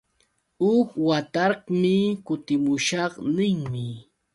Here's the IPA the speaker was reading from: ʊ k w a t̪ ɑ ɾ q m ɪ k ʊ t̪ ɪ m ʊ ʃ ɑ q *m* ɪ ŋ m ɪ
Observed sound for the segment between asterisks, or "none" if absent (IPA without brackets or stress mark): n